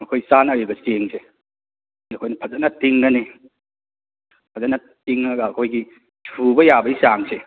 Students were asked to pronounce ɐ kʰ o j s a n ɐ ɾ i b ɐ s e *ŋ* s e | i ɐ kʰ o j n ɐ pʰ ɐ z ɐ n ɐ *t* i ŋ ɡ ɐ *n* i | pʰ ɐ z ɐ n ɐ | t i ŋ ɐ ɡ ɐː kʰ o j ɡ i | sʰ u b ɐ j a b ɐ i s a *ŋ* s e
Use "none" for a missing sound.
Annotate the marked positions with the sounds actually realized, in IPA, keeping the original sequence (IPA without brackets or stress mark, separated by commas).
ŋ, t, n, ŋ